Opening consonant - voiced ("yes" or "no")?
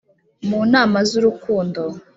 yes